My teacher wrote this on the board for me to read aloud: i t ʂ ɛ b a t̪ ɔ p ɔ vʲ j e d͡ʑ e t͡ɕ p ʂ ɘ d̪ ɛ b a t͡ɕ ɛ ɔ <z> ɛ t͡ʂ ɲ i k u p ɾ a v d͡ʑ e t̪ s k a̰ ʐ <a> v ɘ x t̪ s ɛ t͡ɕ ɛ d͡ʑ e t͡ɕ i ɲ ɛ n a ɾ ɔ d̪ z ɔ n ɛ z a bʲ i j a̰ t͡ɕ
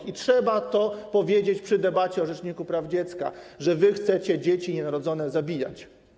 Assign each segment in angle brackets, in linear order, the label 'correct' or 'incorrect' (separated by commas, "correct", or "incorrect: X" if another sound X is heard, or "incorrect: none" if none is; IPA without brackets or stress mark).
incorrect: ʐ, incorrect: ɛ